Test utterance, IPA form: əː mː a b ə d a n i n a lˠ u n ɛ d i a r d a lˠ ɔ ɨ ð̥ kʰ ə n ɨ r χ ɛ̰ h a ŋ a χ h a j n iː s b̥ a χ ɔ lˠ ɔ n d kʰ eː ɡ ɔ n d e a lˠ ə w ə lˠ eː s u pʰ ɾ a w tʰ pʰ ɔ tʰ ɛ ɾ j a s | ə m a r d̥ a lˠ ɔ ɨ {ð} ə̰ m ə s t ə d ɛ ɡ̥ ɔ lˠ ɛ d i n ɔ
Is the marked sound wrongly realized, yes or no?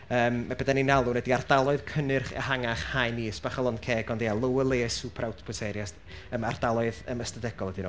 no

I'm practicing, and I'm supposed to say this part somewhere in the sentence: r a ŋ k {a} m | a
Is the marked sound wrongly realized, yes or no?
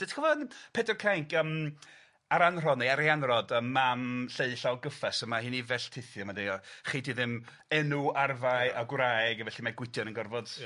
yes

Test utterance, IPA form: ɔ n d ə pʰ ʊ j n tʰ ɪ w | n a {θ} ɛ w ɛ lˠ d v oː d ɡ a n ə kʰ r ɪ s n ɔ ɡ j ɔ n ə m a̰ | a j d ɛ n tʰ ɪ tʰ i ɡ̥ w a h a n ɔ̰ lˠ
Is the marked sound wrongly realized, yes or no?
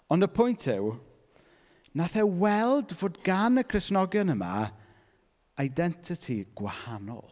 no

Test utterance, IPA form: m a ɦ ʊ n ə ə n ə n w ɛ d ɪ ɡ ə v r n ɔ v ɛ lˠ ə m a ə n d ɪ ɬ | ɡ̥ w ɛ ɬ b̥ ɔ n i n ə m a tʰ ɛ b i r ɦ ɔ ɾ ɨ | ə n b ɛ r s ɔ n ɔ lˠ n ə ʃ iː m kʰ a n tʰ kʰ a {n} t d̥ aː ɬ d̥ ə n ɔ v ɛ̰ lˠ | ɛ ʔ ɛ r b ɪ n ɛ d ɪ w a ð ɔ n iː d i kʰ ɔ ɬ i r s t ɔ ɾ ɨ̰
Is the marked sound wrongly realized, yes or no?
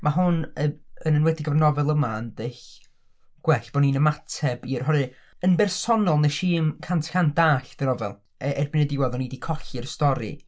no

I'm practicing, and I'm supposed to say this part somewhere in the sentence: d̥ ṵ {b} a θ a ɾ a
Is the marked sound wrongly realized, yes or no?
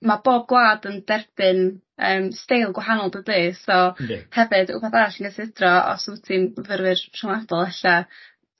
no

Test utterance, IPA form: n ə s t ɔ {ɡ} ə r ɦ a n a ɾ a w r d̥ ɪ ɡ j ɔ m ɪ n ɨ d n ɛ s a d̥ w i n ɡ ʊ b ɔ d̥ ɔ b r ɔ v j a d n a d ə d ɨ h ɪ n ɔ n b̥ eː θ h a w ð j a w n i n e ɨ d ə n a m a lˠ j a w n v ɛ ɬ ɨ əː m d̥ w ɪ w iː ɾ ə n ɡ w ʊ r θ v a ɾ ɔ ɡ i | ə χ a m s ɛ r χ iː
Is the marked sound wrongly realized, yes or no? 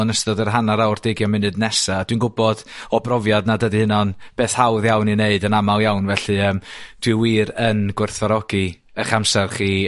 yes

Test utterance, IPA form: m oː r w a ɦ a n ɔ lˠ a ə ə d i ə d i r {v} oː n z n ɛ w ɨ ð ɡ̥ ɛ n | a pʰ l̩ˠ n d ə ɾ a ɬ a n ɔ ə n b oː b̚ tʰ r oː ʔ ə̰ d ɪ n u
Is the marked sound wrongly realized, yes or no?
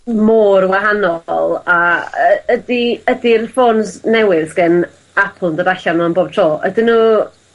yes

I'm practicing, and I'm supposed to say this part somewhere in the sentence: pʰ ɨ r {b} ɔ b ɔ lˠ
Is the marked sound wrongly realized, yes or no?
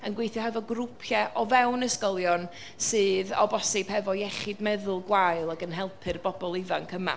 no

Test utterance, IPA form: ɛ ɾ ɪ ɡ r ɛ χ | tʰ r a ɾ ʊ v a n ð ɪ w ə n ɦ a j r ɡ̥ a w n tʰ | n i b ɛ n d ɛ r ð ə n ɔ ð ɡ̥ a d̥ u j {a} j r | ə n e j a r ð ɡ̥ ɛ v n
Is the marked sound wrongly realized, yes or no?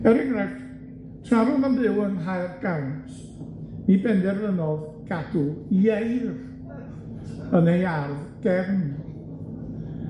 yes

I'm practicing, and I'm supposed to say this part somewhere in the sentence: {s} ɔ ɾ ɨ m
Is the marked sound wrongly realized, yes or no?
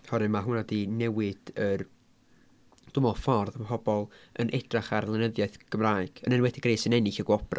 yes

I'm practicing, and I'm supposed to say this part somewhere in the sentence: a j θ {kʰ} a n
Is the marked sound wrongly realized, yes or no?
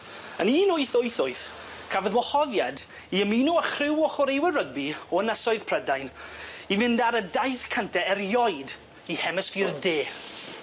no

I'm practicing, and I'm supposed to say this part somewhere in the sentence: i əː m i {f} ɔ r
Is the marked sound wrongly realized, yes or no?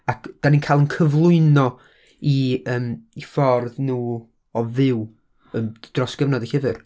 no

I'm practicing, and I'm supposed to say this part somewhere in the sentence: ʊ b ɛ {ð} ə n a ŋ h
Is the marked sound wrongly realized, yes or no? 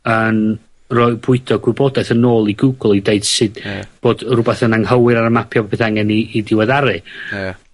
yes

